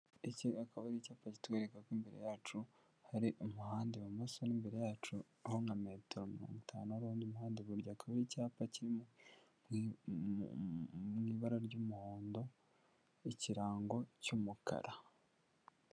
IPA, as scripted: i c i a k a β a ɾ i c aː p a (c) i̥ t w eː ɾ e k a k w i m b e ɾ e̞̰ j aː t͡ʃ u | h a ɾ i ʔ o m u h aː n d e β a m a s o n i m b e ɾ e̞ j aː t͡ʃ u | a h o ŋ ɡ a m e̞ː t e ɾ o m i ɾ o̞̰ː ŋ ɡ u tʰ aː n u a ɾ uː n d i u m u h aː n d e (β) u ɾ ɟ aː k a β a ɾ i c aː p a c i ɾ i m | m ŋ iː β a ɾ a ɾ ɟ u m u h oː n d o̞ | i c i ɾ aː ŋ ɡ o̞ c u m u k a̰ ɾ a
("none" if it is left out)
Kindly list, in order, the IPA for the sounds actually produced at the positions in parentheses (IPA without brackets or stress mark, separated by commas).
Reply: c, β